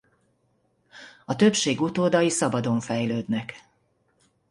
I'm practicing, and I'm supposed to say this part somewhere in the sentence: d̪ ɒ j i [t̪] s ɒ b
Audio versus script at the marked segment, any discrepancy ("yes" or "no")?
yes